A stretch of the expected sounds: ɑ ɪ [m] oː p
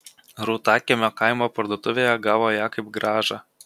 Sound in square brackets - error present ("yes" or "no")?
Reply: no